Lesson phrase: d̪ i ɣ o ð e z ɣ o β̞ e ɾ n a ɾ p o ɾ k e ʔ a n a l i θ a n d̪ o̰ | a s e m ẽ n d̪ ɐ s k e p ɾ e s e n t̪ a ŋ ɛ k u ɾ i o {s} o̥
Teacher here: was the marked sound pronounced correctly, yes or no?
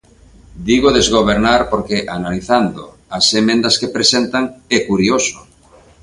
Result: yes